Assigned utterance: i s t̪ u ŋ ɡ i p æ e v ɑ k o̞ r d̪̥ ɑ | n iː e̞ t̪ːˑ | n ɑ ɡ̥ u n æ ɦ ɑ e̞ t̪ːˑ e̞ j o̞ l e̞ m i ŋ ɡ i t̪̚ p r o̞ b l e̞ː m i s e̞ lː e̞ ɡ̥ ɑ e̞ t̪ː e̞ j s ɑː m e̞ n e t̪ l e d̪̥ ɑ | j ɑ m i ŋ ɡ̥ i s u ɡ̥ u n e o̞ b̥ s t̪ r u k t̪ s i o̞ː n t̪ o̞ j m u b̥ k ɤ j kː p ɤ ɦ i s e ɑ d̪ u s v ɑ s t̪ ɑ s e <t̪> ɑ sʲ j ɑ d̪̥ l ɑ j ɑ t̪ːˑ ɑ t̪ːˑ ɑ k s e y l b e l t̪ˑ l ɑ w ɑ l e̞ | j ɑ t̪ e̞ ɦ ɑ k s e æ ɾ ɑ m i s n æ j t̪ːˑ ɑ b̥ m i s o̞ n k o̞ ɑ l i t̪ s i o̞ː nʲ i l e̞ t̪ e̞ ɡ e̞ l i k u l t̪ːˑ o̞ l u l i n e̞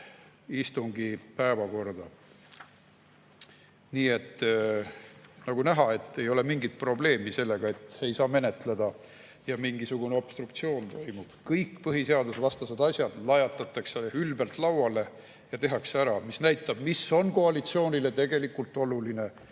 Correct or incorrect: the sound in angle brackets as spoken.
incorrect: d̪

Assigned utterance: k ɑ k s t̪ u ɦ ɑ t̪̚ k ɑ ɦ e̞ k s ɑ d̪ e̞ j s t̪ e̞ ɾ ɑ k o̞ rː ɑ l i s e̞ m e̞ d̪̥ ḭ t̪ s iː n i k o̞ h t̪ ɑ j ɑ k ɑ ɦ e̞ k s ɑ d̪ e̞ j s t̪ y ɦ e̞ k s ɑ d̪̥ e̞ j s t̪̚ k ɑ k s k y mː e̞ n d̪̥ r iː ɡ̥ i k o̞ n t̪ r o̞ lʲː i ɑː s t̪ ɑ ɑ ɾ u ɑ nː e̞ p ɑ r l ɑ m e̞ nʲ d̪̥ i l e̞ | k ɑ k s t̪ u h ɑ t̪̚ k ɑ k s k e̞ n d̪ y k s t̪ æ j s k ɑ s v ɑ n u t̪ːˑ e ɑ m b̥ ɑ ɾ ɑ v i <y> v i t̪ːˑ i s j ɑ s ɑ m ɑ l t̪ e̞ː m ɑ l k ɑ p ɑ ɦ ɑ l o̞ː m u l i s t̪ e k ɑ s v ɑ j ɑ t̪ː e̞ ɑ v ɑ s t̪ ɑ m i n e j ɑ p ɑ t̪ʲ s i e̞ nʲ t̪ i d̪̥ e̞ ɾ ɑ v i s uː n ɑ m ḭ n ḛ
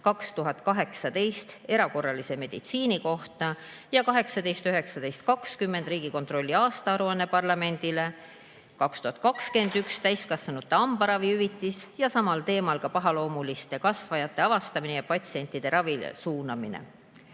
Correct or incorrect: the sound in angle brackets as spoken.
correct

